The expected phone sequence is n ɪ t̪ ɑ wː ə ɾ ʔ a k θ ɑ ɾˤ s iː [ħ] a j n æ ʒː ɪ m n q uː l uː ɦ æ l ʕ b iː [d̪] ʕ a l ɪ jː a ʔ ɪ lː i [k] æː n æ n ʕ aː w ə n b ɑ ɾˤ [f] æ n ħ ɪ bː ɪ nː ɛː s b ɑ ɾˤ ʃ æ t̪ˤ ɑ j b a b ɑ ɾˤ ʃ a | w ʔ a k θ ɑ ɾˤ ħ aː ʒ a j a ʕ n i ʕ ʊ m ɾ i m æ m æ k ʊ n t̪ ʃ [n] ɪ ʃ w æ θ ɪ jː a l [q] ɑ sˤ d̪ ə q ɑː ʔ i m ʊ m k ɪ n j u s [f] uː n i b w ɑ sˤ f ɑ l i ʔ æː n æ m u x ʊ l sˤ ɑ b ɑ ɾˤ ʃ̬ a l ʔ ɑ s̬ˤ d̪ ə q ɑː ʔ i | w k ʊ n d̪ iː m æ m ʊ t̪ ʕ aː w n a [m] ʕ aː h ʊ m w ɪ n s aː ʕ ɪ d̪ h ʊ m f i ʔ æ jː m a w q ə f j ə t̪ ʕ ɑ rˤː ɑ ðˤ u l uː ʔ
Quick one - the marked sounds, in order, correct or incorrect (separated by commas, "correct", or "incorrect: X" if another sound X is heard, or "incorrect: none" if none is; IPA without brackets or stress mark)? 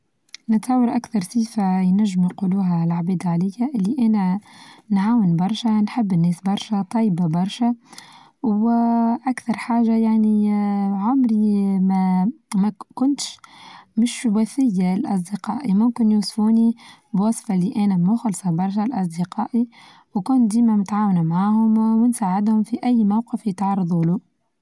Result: incorrect: f, correct, incorrect: ʔ, incorrect: ʃ, incorrect: m, incorrect: ʔ, correct, correct